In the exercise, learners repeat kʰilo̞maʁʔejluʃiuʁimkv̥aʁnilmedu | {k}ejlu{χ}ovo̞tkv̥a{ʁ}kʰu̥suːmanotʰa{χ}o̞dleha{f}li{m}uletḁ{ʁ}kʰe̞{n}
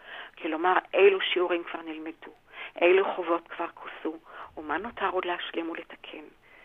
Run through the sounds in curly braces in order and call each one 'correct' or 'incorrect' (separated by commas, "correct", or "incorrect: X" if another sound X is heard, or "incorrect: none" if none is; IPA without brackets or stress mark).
incorrect: ʔ, correct, correct, incorrect: ʁ, incorrect: ʃ, correct, incorrect: none, correct